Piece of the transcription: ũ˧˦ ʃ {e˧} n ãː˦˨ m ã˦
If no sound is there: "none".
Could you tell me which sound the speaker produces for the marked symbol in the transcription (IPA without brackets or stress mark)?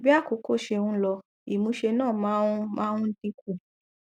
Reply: e˧